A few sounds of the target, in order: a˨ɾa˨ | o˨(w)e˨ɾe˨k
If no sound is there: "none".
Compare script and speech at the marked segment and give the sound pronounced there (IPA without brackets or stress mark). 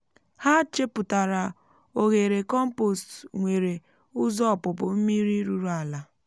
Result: ɣ